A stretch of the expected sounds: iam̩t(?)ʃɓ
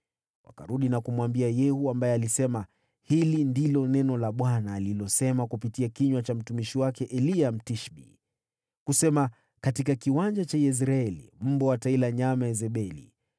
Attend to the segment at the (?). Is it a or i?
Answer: i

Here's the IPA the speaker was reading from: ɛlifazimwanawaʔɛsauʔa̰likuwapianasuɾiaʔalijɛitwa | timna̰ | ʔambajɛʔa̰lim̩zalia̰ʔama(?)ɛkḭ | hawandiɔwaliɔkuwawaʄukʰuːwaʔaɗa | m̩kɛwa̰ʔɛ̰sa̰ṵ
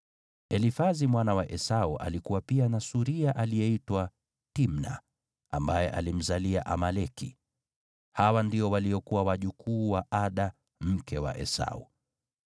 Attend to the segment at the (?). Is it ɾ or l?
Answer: l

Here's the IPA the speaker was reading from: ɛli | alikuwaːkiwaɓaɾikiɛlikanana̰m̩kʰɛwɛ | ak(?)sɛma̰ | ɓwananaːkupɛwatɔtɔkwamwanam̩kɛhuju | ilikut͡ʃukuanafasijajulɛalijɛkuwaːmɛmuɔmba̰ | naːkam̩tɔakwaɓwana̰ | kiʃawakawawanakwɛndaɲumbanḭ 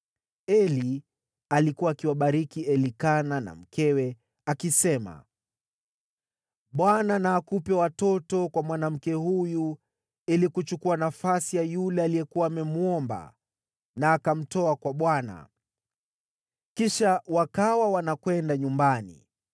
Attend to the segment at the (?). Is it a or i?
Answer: i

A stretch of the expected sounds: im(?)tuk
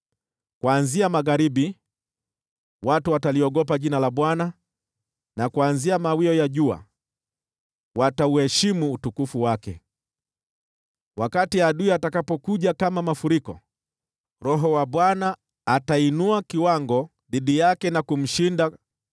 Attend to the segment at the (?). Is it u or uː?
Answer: uː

